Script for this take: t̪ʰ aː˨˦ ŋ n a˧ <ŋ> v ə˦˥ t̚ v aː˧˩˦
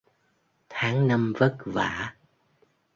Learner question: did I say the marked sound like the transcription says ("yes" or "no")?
no